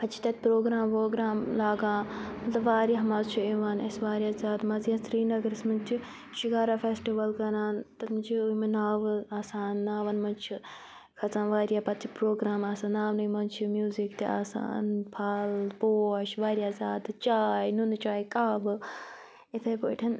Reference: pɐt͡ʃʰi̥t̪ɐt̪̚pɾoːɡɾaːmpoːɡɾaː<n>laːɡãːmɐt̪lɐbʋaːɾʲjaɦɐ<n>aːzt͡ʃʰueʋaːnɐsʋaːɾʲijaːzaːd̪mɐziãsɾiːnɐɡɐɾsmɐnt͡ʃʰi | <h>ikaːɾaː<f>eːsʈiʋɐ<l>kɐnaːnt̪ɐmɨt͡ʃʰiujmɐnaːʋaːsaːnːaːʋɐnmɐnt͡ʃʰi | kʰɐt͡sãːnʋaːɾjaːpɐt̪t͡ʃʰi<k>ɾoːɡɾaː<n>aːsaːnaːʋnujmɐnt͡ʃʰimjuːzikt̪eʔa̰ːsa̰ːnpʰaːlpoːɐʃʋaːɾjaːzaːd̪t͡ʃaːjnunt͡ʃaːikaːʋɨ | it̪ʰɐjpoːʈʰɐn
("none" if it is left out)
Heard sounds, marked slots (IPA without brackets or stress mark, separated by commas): m, m, ʃ, f, l, p, m